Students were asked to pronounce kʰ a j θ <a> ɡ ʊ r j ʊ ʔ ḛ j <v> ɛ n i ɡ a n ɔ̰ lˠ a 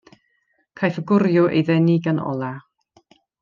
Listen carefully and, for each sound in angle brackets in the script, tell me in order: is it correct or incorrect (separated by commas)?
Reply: incorrect, incorrect